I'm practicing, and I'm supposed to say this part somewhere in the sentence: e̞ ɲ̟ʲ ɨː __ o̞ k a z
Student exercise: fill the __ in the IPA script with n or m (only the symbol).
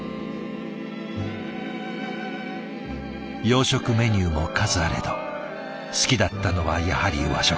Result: m